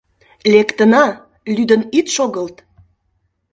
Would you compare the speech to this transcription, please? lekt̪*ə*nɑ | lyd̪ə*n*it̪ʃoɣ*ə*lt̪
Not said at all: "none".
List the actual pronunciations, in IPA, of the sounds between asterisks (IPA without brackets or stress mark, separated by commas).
ə, n, ə